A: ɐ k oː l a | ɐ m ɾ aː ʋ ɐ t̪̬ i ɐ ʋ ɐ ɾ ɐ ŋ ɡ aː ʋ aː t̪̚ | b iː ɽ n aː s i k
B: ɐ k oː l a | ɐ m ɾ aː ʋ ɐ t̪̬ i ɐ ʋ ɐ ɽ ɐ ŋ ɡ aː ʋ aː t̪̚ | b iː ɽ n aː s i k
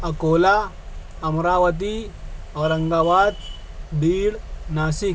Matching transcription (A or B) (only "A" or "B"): A